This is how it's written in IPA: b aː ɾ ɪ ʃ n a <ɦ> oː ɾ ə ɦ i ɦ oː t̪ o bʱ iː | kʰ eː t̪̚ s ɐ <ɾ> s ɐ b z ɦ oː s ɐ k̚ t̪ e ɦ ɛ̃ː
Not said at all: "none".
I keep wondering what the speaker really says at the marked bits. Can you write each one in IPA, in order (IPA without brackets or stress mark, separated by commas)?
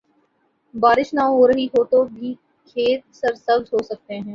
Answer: ɦ, ɾ